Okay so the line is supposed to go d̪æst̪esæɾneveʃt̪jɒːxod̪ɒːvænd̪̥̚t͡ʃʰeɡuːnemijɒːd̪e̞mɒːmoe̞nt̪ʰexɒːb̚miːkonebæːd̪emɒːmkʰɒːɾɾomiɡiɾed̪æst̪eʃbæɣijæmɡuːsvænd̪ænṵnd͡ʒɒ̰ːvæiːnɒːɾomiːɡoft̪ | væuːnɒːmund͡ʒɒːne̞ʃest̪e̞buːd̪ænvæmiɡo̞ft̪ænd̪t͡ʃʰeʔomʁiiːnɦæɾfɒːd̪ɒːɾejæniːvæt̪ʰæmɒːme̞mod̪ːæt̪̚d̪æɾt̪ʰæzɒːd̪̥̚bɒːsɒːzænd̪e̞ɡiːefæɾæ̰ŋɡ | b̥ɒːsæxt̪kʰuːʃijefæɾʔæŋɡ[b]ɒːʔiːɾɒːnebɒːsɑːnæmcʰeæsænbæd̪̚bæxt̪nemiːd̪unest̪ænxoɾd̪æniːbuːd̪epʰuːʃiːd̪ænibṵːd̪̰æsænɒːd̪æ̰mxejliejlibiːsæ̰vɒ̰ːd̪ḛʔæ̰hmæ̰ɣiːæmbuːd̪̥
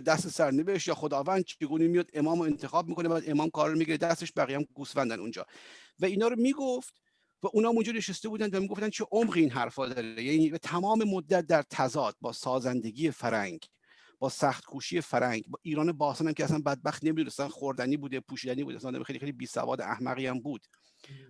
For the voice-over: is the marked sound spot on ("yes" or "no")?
yes